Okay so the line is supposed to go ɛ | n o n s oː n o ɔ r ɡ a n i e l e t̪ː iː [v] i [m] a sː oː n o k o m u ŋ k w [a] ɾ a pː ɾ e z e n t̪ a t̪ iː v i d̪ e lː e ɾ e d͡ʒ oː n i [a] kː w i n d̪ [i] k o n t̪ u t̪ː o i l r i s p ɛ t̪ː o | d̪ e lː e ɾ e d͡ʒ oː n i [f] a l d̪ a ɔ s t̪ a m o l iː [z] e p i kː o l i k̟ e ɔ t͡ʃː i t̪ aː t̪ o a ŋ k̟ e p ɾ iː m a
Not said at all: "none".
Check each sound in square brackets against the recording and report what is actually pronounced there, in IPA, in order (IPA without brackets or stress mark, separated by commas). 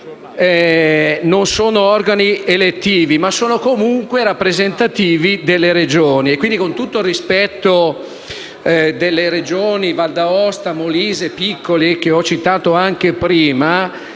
v, m, e, e, i, v, z